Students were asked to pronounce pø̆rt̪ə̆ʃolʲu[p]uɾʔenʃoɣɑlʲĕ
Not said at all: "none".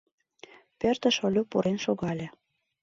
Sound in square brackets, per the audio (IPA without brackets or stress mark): p